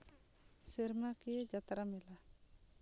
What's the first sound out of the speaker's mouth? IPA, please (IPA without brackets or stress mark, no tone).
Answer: s